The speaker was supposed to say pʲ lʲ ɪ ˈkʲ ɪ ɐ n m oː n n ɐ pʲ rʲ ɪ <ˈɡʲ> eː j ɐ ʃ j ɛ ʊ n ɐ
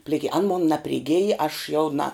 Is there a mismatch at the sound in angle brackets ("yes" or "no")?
no